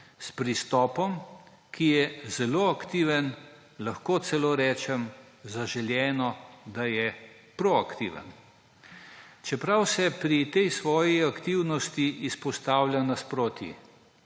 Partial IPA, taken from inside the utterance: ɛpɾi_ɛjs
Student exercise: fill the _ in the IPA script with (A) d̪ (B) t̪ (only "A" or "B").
B